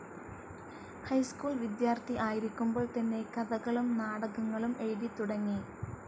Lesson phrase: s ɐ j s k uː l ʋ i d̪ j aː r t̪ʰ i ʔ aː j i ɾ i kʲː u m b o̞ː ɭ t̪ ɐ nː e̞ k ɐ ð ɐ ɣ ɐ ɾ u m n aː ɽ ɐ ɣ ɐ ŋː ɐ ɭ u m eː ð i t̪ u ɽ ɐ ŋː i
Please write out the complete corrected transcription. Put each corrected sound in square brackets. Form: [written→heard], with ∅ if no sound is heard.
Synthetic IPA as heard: [s→h] ɐ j s k uː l ʋ i d̪ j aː r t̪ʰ i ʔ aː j i ɾ i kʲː u m b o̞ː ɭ t̪ ɐ nː e̞ k ɐ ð ɐ ɣ ɐ [ɾ→ɭ] u m n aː ɽ ɐ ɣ ɐ ŋː ɐ ɭ u m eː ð i t̪ u ɽ ɐ ŋː i